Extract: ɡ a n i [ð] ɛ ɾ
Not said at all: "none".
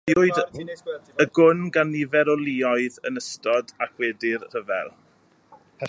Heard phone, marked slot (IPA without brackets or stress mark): v